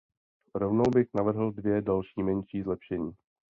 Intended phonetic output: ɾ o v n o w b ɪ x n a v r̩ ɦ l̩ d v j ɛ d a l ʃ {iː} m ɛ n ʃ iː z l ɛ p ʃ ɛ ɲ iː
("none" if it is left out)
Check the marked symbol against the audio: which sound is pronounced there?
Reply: iː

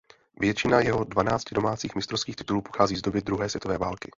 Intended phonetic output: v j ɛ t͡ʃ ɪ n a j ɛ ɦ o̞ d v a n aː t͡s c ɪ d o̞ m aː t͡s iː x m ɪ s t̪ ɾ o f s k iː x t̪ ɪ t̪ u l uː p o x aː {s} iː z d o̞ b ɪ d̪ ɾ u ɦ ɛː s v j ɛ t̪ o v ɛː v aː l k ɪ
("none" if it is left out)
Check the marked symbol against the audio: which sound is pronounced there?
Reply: z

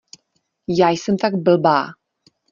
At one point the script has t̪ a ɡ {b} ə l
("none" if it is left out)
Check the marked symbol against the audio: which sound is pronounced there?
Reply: b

